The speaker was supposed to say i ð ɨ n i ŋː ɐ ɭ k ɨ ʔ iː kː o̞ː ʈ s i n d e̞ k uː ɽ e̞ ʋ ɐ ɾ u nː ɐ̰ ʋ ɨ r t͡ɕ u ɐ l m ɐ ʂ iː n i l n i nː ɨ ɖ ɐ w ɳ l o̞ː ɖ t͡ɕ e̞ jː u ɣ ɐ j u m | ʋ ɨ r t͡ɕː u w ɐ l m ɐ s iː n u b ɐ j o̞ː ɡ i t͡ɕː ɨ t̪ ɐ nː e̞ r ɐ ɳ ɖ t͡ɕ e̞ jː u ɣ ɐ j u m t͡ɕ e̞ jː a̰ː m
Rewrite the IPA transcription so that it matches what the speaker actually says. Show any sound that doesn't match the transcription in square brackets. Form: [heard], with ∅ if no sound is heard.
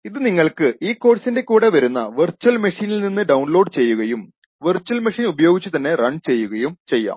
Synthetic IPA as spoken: i ð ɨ n i ŋː ɐ ɭ k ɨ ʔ iː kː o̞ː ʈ s i n d e̞ k uː ɽ e̞ ʋ ɐ ɾ u nː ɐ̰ ʋ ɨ r t͡ɕ u ɐ l m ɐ ʂ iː n i l n i nː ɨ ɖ ɐ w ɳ l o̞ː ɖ t͡ɕ e̞ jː u ɣ ɐ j u m | ʋ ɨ r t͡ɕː u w ɐ l m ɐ [ʂ] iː n u b ɐ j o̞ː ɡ i t͡ɕː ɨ t̪ ɐ nː e̞ r ɐ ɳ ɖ t͡ɕ e̞ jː u ɣ ɐ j u m t͡ɕ e̞ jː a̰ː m